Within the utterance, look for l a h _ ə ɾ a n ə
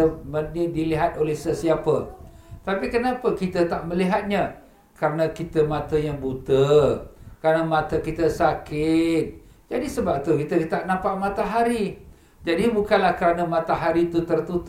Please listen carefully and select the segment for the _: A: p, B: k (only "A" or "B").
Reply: B